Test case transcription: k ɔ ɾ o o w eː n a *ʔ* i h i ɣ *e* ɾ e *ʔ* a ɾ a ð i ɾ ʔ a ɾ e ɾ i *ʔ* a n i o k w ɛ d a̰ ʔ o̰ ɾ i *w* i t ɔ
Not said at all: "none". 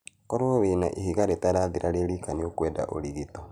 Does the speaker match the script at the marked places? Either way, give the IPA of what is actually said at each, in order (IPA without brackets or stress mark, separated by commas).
ʔ, a, t, k, ɣ